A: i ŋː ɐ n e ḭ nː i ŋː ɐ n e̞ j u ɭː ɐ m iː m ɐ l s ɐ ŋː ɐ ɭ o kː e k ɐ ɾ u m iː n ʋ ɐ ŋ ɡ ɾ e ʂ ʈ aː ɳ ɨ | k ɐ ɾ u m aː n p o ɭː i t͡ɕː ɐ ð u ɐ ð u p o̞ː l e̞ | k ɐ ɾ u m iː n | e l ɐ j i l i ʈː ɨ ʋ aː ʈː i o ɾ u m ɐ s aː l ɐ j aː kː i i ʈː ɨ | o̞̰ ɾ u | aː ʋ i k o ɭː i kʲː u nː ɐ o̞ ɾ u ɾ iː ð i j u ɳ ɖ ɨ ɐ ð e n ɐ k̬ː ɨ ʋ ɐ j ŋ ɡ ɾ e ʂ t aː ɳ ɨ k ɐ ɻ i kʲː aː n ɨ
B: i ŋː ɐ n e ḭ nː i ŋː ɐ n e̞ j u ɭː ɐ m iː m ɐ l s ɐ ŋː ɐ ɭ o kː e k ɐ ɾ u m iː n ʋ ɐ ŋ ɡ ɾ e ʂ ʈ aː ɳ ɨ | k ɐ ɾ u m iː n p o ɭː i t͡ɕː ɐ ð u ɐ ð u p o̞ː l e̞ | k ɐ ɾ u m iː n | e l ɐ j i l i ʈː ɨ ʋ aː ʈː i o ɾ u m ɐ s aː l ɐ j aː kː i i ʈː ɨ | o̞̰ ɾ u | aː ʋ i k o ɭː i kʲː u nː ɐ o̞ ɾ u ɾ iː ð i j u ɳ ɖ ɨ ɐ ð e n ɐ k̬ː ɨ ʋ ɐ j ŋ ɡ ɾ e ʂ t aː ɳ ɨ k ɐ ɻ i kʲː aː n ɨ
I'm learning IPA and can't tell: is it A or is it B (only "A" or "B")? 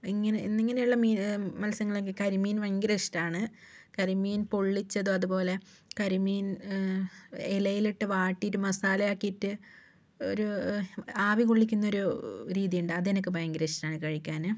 B